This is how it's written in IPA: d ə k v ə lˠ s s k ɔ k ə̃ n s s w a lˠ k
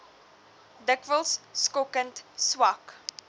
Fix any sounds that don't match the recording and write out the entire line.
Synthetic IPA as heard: d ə k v ə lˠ s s k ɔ k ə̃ n t s w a k